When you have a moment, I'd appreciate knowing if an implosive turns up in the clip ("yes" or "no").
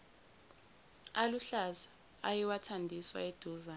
no